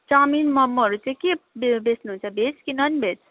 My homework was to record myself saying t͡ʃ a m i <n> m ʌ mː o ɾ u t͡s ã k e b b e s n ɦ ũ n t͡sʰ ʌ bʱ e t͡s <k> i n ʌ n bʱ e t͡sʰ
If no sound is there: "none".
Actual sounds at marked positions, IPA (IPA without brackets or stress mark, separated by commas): n, k